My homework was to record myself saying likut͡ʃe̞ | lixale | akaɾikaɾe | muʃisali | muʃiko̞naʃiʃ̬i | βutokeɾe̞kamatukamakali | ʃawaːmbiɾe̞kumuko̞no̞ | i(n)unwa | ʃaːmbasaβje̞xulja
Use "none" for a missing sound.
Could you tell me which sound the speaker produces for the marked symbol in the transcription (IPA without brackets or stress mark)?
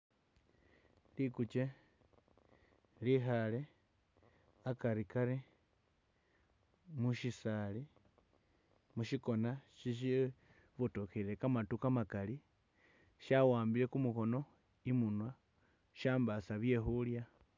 m